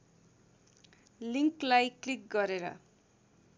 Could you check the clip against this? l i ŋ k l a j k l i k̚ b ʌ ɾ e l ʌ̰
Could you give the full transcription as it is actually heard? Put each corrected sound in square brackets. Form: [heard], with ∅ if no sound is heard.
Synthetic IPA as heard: l i ŋ k l a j k l i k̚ [ɡ] ʌ ɾ e [ɾ] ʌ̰

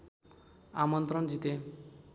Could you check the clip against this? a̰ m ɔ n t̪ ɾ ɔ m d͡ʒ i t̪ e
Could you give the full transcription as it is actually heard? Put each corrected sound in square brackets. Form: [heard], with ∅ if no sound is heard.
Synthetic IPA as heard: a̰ m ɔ n t̪ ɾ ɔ [n] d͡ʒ i t̪ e

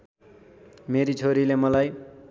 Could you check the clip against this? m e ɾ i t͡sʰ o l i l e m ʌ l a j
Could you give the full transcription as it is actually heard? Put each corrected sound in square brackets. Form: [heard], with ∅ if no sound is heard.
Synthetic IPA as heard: m e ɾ i t͡sʰ o [ɾ] i l e m ʌ l a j

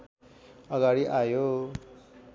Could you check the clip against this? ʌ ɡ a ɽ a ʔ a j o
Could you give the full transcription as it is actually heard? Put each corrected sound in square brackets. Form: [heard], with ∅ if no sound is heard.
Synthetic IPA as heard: ʌ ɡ a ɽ [i] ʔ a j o

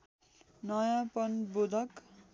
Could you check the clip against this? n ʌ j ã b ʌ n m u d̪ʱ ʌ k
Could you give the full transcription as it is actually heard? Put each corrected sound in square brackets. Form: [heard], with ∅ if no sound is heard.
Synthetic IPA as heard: n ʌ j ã [p] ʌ n [b] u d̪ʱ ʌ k

